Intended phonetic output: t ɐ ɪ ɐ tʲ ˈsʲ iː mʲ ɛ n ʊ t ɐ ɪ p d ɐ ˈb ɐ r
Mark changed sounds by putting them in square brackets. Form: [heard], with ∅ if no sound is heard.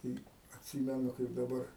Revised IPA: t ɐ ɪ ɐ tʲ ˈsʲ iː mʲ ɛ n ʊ [k] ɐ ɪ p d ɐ ˈb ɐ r